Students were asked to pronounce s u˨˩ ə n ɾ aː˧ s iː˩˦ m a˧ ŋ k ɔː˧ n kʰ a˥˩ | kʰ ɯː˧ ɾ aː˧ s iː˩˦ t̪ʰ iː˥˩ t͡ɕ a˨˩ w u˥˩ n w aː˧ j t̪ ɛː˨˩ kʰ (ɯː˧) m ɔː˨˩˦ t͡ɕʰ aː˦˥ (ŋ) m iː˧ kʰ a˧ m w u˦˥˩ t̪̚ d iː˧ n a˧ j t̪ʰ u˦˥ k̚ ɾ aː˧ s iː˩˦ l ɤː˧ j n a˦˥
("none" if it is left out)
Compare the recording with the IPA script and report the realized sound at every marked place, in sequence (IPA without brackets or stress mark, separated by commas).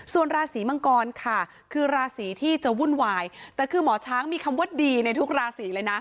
ɯː˧, ŋ